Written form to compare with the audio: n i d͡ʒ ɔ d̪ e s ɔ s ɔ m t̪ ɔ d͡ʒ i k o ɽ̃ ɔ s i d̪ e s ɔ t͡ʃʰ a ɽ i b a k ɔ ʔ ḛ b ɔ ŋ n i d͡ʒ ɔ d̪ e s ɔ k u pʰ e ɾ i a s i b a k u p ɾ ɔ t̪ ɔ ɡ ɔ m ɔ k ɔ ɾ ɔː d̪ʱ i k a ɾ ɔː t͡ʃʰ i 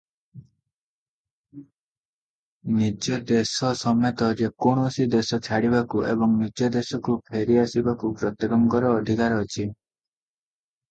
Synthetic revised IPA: n i d͡ʒ ɔ d̪ e s ɔ s ɔ m t̪ ɔ d͡ʒ e k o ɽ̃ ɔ s i d̪ e s ɔ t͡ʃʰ a ɽ i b a k u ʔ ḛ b ɔ ŋ n i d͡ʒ ɔ d̪ e s ɔ k u pʰ e ɾ i a s i b a k u p ɾ ɔ t̪ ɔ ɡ ɔ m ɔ k ɔ ɾ ɔː d̪ʱ i k a ɾ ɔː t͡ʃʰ i